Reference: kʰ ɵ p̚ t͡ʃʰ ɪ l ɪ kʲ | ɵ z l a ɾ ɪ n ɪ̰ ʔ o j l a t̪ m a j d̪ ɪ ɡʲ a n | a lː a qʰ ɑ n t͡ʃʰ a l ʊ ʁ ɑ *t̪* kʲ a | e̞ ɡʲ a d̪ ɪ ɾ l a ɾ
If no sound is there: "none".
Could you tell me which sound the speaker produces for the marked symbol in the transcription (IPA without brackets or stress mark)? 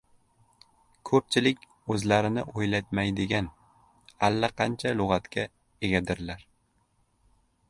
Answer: t̪